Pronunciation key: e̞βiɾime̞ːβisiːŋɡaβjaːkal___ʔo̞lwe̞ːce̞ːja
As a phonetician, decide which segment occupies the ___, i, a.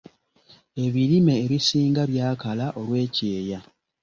a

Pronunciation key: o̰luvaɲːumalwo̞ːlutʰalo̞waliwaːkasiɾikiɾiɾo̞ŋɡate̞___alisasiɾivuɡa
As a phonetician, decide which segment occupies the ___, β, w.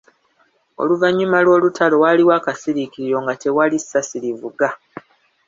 w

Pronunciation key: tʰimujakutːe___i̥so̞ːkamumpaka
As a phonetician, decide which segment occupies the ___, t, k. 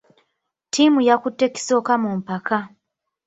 k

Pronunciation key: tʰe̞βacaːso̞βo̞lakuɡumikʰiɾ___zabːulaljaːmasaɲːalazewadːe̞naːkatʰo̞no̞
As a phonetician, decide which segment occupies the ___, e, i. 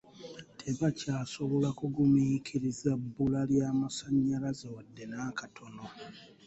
i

